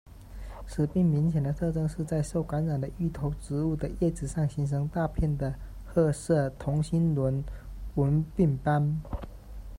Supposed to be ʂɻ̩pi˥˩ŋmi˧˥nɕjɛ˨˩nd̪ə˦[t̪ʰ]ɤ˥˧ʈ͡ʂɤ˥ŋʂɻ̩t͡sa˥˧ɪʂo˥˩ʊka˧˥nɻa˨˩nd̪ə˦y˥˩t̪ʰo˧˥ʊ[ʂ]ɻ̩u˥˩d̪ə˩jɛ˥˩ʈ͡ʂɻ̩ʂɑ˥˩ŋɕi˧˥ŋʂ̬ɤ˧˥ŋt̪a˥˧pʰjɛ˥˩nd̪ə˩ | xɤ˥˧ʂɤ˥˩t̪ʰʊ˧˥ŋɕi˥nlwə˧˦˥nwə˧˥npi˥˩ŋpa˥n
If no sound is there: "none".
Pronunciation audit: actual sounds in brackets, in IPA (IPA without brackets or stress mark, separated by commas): t̪ʰ, ʈ͡ʂ